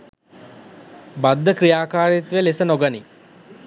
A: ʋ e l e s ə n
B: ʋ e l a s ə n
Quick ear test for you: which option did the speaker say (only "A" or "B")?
A